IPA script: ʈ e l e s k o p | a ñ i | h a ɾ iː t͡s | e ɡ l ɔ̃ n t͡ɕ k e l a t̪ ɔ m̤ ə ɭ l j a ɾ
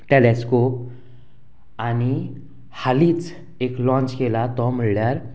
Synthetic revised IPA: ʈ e l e s k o p | a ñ i | h a l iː t͡s | e k l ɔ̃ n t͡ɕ k e l a t̪ ɔ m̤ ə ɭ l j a ɾ